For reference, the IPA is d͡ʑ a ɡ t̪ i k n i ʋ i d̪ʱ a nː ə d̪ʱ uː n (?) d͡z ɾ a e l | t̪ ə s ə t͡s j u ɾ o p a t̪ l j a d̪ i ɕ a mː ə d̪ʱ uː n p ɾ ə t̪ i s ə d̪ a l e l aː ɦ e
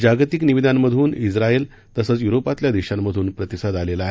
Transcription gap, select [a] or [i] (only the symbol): i